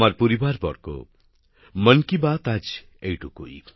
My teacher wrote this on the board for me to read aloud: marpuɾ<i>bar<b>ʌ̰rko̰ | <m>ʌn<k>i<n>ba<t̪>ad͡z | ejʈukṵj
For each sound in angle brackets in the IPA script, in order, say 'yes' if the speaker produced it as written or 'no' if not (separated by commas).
yes, yes, yes, yes, no, yes